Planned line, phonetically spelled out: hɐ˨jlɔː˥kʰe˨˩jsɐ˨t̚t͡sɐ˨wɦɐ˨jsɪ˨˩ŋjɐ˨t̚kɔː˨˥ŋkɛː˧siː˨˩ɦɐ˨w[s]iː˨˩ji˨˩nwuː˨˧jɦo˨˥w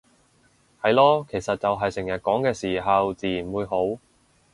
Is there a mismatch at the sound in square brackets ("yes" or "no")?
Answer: yes